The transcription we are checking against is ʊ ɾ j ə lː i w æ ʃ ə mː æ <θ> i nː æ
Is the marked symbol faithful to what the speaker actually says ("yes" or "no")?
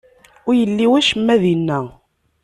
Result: no